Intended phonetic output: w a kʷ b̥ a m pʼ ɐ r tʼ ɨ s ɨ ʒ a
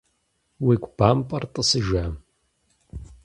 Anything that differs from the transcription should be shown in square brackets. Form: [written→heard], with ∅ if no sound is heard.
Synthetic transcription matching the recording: w [a→i] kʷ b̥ a m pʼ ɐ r tʼ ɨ s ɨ ʒ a